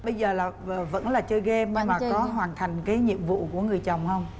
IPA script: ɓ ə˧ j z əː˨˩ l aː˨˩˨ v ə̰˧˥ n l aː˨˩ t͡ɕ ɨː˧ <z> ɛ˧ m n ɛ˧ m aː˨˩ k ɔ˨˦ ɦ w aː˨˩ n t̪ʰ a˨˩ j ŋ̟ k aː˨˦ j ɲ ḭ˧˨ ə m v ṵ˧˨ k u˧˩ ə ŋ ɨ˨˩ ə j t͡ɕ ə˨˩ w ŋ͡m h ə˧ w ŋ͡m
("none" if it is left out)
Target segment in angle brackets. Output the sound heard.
ɣ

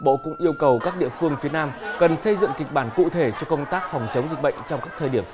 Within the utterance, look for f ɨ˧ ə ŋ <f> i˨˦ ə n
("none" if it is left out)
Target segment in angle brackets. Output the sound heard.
f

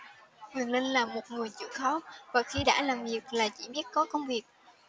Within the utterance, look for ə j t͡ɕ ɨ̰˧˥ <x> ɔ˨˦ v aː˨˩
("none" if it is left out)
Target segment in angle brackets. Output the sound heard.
x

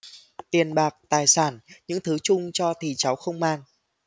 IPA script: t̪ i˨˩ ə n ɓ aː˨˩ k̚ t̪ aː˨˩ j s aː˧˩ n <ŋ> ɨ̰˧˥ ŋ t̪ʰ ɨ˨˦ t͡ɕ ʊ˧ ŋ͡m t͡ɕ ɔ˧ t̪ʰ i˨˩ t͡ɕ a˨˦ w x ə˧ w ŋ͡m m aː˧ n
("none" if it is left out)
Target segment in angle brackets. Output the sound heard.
ɲ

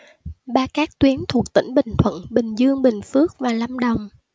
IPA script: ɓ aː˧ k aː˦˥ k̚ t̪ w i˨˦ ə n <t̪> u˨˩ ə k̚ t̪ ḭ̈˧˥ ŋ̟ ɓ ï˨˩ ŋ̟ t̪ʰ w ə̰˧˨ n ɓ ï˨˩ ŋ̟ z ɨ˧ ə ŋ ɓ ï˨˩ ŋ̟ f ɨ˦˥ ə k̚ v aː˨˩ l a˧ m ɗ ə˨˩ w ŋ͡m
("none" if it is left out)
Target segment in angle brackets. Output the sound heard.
t̪ʰ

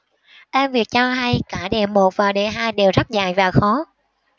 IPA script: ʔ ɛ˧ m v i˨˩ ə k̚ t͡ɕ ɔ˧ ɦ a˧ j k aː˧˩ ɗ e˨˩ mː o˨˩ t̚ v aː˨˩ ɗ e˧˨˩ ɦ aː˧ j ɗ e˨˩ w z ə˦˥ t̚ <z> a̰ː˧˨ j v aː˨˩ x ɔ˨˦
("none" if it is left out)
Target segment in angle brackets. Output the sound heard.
z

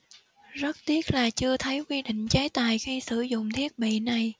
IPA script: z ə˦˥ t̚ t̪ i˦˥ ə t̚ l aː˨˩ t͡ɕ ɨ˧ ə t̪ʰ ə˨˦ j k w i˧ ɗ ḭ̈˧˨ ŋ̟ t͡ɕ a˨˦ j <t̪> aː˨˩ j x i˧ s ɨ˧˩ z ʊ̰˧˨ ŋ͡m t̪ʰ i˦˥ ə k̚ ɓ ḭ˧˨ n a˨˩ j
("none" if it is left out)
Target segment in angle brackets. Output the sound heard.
t̪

